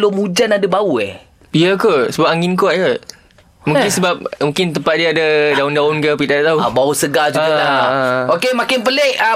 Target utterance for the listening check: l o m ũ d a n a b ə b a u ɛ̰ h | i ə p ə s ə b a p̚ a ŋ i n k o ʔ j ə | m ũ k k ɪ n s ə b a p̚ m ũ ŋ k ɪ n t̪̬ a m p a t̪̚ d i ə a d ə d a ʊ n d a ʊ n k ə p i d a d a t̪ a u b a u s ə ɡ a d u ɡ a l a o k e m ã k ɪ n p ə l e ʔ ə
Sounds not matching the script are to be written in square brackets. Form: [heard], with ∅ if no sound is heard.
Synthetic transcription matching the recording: l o m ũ [d͡ʒ] a n a [d] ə b a u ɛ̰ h | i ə [k] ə s ə b a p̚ a ŋ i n k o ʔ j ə | m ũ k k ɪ n s ə b a p̚ m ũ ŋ k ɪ n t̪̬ [ə] m p a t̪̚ d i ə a d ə d a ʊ n d a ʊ n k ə p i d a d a t̪ a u b a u s ə ɡ a [d͡ʒ] u ɡ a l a o k e m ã k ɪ n p ə l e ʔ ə